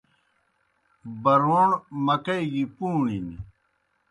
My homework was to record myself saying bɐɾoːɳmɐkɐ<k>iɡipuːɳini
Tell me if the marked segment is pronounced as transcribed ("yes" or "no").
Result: no